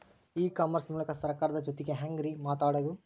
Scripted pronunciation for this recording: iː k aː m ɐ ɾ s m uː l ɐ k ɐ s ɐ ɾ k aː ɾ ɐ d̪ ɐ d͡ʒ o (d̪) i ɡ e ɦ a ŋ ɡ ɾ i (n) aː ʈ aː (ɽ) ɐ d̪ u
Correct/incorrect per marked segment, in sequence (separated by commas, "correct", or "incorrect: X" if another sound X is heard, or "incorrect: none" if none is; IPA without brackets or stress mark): incorrect: t̪, incorrect: m, correct